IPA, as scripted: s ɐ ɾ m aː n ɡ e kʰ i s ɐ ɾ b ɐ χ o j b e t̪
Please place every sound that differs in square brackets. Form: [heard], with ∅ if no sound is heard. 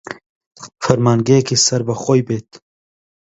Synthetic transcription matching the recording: [f] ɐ ɾ m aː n ɡ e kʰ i s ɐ ɾ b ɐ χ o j b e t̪

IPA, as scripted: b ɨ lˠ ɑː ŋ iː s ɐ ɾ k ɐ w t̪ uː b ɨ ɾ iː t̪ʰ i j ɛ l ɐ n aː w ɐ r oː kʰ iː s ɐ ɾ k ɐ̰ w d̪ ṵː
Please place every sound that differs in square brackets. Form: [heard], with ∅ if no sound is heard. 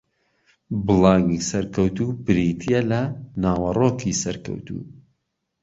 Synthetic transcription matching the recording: b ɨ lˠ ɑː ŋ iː s ɐ ɾ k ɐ w t̪ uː b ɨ ɾ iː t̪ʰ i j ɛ l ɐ n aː w ɐ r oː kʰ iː s ɐ ɾ k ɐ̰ w [t̪] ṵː

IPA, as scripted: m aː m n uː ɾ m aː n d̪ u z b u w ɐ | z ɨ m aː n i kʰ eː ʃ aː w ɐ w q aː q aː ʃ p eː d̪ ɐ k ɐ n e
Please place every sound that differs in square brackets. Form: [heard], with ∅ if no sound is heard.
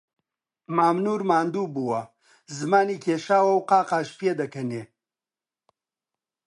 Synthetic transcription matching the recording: m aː m n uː ɾ m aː n d̪ u [∅] b u w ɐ | z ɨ m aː n i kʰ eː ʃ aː w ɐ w q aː q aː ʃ p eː d̪ ɐ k ɐ n e

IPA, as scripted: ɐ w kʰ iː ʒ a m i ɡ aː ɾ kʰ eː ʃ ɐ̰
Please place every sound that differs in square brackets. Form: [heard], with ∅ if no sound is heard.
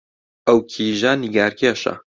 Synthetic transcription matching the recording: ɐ w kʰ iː ʒ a [n] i ɡ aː ɾ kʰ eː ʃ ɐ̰

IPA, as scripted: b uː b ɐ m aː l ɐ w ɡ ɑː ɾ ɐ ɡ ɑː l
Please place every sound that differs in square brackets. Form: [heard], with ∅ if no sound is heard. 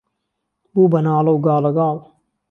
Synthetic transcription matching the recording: b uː b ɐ [n] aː l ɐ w ɡ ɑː [l] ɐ ɡ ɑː l

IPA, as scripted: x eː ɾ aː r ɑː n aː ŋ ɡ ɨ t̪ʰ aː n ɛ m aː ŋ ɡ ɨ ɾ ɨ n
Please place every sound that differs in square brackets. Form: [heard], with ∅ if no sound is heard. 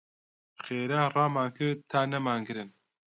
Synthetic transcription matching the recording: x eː ɾ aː r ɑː [m] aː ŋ [k] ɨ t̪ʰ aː n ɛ m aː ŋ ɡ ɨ ɾ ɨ n

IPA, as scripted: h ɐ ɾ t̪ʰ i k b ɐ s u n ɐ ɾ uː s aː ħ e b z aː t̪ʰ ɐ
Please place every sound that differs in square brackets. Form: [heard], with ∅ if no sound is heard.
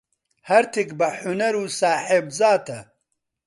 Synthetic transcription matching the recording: h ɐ ɾ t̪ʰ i k b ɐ [ħ] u n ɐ ɾ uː s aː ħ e b z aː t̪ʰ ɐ

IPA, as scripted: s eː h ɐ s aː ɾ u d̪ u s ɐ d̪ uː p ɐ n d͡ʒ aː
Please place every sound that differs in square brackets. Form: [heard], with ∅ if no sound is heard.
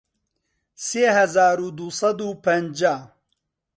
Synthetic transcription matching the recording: s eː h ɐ [z] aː ɾ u d̪ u s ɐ d̪ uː p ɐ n d͡ʒ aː

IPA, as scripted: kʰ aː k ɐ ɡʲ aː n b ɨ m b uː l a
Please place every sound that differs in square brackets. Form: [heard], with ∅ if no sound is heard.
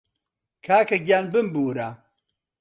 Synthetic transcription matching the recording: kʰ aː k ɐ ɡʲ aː n b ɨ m b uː [ɾ] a

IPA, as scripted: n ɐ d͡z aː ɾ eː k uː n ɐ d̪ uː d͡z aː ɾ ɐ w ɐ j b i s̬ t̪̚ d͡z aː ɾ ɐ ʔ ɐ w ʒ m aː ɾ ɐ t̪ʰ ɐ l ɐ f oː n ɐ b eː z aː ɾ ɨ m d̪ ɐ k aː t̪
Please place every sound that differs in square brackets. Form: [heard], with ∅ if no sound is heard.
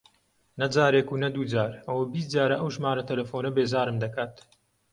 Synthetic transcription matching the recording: n ɐ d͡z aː ɾ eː k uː n ɐ d̪ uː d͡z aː ɾ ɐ w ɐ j b i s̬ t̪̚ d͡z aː ɾ ɐ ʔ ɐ w ʒ m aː ɾ ɐ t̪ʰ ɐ l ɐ f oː n ɐ b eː z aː ɾ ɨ m d̪ ɐ k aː t̪

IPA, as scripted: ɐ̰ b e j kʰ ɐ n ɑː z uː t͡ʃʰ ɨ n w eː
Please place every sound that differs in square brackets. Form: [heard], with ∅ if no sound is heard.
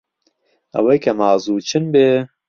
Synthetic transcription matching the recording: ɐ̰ [w] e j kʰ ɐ [m] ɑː z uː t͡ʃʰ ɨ n [b] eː

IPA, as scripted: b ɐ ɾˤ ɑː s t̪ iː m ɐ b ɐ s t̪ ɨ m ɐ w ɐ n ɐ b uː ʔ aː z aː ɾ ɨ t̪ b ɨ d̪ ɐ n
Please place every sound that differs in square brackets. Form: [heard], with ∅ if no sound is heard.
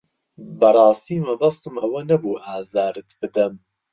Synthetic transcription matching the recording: b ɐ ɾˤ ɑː s t̪ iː m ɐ b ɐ s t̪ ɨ m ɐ w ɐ n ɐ b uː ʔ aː z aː ɾ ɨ t̪ b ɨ d̪ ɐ [m]

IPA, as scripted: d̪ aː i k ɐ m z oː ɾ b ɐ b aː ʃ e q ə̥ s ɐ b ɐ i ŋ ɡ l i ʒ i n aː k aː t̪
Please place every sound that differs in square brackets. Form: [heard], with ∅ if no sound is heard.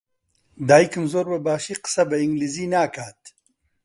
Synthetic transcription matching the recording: d̪ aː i k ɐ m z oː ɾ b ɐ b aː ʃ [i] q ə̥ s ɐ b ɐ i ŋ ɡ l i [z] i n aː k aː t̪

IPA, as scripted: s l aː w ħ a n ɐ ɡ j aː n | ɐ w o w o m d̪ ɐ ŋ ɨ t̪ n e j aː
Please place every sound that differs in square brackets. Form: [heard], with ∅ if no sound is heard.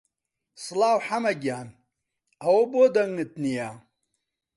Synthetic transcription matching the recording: s l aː w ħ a [m] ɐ ɡ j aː n | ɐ w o [b] o [∅] d̪ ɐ ŋ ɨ t̪ n [i] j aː

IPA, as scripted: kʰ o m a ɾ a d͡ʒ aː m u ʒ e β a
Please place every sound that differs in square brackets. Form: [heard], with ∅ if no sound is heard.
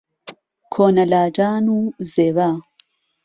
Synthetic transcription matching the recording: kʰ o [n] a [l] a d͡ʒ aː [n] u [z] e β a

